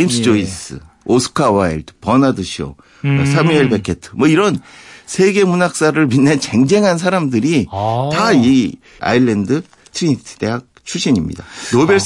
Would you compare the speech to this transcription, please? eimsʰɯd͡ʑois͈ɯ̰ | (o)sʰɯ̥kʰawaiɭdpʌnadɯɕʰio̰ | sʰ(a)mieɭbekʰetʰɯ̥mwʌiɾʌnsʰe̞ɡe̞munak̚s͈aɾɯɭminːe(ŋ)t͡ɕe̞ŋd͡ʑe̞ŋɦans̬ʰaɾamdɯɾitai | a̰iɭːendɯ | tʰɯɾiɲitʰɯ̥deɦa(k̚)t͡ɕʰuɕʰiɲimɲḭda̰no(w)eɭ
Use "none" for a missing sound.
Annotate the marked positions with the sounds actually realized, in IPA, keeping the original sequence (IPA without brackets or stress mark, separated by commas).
o, a, n, k̚, b